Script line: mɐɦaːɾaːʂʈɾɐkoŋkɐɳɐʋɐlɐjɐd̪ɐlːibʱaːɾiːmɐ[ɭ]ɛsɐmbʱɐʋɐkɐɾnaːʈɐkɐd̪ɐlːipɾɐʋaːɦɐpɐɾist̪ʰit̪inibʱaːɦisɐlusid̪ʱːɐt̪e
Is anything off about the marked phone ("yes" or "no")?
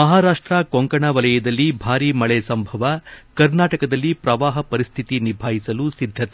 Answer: no